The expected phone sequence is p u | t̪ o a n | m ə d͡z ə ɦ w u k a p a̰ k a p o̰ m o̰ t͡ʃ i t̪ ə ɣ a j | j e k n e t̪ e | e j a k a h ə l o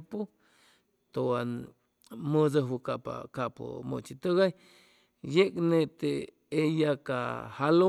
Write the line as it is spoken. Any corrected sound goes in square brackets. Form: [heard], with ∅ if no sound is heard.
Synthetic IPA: p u | t̪ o a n | m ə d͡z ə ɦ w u k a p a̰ k a p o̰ m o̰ t͡ʃ i t̪ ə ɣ a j | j e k n e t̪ e | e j a k a h [a] l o

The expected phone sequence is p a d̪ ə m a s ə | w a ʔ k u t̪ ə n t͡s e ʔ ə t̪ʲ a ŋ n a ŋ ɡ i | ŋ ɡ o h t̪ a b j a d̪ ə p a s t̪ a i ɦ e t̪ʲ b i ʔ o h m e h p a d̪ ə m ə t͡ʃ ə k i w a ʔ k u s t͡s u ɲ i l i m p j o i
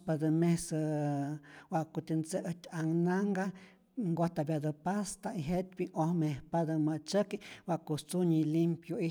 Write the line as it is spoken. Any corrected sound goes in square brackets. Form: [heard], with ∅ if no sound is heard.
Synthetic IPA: p a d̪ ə m [e] s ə | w a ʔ k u t̪ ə n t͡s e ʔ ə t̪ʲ a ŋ n a ŋ ɡ [a] | ŋ ɡ o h t̪ a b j a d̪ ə p a s t̪ a i ɦ e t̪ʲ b i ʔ o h m e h p a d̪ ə m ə t͡ʃ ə k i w a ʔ k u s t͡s u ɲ i l i m p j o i

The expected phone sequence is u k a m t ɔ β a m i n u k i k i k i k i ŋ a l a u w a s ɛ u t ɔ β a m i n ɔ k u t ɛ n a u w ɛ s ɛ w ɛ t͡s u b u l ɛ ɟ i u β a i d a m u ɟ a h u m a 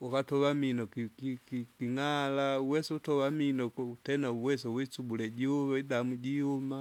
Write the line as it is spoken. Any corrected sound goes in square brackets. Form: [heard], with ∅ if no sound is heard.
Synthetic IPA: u k a [∅] t ɔ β a m i n [ɔ] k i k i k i k i ŋ a l a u w [ɛ] s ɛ u t ɔ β a m i n ɔ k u t ɛ n a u w ɛ s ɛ w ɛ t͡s u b u l ɛ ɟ i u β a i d a m u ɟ [i] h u m a

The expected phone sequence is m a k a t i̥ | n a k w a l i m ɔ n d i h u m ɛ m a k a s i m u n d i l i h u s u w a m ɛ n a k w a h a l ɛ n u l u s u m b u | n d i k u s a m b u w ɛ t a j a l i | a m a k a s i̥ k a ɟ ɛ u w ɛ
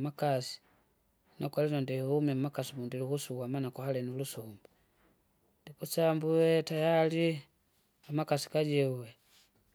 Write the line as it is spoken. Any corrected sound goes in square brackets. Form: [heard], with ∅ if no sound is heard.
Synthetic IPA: m a k a [s] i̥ | n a k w a l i [n] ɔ n d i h u m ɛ m a k a s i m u n d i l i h u s u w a m [a] n a k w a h a l ɛ n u l u s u m b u | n d i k u s a m b u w ɛ t a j a l i | a m a k a s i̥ k a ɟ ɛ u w ɛ

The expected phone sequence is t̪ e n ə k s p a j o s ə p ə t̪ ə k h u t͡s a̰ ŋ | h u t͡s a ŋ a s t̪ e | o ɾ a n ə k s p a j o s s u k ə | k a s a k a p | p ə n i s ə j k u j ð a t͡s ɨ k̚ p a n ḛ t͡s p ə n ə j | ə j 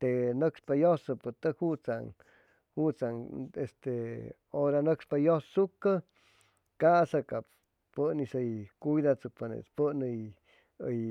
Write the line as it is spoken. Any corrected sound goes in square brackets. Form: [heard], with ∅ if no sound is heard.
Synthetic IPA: t̪ e n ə k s p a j o s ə p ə t̪ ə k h u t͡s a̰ ŋ | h u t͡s a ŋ [e] s t̪ e | o ɾ a n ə k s p a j o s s u k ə | k a s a k a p | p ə n i s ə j k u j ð a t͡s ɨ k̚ p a n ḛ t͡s p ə n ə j | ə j

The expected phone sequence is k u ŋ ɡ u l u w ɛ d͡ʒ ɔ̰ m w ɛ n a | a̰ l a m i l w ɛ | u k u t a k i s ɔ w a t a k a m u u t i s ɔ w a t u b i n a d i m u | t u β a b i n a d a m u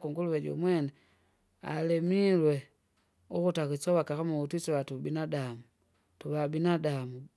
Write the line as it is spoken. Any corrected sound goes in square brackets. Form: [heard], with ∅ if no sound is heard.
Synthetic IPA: k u ŋ ɡ u l u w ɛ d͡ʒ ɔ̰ m w ɛ n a | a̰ l [ɛ] m i l w ɛ | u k u t a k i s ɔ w a [k] a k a m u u t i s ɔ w a t u b i n a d [a] m u | t u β a b i n a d a m u

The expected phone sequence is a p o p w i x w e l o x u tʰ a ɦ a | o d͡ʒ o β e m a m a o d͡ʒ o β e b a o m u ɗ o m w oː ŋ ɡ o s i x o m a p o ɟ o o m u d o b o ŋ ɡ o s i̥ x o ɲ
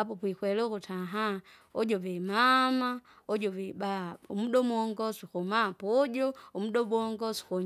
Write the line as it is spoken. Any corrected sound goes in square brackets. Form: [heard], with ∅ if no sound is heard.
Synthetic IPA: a p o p w i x w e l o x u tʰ a ɦ a | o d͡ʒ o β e m a m a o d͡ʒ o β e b a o m u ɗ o m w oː ŋ ɡ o s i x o m a p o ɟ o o m u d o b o ŋ ɡ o s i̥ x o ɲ

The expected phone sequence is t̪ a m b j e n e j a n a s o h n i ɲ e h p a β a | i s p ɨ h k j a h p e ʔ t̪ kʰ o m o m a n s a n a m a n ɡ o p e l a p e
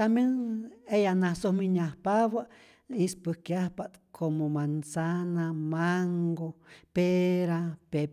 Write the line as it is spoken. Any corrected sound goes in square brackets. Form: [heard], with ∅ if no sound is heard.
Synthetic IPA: t̪ a m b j e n e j a n a s o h [m] i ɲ [a] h p a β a | i s p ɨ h k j a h p [a] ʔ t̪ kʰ o m o m a n s a n a m a [ŋ] ɡ o p e [ɾ] a p e

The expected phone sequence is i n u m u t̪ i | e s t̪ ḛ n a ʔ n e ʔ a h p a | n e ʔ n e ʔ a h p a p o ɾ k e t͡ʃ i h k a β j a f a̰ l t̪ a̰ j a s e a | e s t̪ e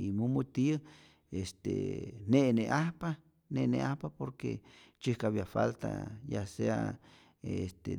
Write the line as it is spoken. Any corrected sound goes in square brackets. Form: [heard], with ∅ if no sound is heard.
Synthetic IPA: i [m] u m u t̪ i | e s t̪ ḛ n [e] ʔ n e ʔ a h p a | n e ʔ n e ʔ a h p a p o ɾ k e t͡ʃ i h k a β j a f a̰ l t̪ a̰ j a s e a | e s t̪ e

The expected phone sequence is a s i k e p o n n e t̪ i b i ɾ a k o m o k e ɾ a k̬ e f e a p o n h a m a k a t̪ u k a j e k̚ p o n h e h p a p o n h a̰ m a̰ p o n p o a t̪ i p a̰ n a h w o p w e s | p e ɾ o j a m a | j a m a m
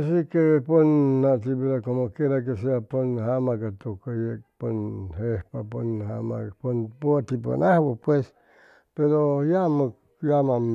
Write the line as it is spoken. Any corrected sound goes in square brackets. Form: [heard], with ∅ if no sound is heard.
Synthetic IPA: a s i k e p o n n [a] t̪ i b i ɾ a k o m o k e ɾ a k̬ e [s] e a p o n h a m a k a t̪ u k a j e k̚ p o n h e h p a p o n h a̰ m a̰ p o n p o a t̪ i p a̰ n a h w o p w e s | p e ɾ o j a m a | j a m a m

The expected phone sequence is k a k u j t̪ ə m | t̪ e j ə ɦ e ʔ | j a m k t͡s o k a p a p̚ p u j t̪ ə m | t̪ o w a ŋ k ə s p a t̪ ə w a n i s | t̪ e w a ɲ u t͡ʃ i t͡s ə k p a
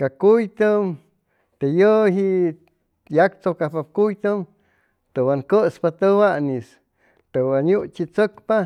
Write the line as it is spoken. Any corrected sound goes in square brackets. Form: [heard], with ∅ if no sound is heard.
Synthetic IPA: k a k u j t̪ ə m | t̪ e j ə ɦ [i] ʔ | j a [∅] k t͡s o k a p a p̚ [k] u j t̪ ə m | t̪ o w a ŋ k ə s p a t̪ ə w a n i s | t̪ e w a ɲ u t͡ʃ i t͡s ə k p a

